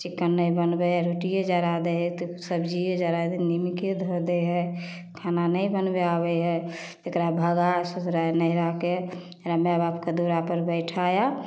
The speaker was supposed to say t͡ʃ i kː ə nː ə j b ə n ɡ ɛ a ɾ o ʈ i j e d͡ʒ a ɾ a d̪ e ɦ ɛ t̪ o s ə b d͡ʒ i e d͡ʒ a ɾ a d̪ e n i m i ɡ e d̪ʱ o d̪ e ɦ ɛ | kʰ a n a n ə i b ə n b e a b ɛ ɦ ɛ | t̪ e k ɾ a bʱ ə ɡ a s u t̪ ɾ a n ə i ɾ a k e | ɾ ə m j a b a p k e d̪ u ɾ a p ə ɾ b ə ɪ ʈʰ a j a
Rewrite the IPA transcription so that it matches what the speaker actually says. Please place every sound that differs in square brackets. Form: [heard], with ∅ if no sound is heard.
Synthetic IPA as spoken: t͡ʃ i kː ə nː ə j b ə n [b] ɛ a ɾ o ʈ i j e d͡ʒ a ɾ a d̪ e ɦ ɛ t̪ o s ə b d͡ʒ i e d͡ʒ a ɾ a d̪ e n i m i [k] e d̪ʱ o d̪ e ɦ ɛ | kʰ a n a n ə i b ə n b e a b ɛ ɦ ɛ | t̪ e k ɾ a bʱ ə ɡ a s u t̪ ɾ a n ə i ɾ a k e | ɾ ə m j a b a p k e d̪ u ɾ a p ə ɾ b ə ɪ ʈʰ a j a